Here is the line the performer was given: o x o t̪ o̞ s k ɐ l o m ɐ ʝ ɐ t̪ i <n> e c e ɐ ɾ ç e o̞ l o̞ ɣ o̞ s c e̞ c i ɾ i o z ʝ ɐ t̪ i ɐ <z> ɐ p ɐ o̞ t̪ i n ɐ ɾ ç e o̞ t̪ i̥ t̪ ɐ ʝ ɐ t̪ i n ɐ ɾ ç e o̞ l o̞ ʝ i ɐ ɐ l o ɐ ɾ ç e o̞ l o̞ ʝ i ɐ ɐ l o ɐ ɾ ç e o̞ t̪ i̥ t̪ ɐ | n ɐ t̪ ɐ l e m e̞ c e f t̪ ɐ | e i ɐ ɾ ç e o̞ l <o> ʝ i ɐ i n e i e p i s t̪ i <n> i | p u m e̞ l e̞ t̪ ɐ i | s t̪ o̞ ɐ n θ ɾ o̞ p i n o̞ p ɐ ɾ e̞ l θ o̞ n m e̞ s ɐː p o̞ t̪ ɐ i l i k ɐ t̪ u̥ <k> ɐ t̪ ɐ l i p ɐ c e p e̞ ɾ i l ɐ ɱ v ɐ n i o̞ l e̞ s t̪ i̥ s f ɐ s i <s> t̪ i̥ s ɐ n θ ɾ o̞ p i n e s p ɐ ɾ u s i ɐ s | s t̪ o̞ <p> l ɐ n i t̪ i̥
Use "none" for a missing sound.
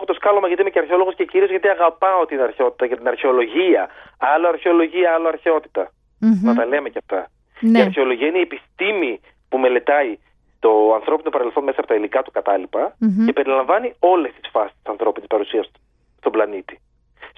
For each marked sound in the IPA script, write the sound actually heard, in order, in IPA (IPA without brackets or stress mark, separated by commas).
m, ɣ, o, m, k, s, b